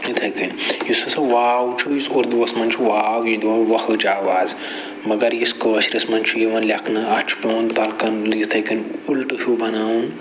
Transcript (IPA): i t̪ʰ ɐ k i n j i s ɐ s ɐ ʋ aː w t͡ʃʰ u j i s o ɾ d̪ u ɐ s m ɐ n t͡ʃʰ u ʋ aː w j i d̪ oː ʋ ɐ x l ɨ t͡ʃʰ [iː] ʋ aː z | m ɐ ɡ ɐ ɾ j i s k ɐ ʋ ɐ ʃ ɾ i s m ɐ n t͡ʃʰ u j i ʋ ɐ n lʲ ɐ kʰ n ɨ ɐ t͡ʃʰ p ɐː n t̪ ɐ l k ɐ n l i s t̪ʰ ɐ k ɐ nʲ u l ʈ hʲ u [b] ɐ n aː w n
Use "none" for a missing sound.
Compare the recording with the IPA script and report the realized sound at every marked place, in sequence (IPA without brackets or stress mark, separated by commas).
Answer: aː, b